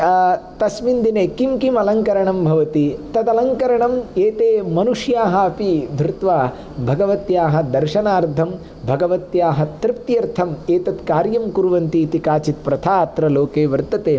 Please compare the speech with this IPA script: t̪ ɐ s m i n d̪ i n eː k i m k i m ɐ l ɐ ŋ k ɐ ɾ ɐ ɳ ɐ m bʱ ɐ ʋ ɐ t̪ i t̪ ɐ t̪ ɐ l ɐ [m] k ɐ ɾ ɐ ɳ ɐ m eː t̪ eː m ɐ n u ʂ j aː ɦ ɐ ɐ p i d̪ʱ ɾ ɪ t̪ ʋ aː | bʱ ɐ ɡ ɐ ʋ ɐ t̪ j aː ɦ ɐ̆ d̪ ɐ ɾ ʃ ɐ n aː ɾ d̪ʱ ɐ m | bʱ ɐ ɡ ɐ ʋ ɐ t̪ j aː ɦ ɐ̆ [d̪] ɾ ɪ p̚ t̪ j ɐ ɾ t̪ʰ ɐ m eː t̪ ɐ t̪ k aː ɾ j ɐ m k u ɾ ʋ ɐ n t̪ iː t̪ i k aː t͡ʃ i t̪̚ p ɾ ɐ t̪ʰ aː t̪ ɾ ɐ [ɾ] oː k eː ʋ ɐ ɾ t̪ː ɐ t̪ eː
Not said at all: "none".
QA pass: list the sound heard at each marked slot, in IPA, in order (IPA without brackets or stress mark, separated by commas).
ŋ, t̪, l